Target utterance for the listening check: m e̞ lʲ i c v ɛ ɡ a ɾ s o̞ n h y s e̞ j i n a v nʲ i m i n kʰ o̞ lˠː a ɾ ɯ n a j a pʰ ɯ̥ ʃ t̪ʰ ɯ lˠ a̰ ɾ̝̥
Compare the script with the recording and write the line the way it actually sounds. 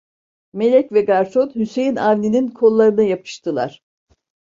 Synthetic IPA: m e̞ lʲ ɛ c v ɛ ɡ a ɾ s o̞ n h y s e̞ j i n a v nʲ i n i n kʰ o̞ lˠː a ɾ ɯ n a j a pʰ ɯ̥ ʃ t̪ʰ ɯ lˠ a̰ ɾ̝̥